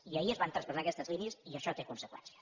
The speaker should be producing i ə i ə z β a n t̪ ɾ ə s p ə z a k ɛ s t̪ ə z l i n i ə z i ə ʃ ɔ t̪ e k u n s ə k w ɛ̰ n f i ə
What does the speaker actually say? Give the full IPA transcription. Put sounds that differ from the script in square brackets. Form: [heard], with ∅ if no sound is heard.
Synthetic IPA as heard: i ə i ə z β a n t̪ ɾ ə s p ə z a k ɛ s t̪ ə z l i n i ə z i ə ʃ ɔ t̪ e k u n s ə k w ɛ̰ n [s] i ə